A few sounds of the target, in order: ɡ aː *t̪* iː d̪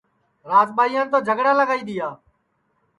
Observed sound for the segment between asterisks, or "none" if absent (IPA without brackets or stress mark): none